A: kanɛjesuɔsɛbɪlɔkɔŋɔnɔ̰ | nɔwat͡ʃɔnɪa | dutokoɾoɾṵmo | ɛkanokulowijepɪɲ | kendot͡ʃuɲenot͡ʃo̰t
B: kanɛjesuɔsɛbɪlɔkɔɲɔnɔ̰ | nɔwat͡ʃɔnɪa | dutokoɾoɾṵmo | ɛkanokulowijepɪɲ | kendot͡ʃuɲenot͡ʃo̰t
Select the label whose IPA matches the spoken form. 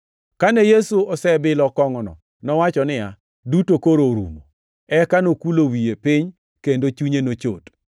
A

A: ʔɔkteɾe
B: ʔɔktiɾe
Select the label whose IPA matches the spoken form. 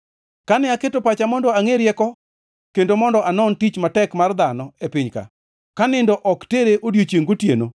A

